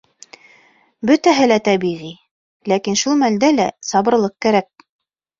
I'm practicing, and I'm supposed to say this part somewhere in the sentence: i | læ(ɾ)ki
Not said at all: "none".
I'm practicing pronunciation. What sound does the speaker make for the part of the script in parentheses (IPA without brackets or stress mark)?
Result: none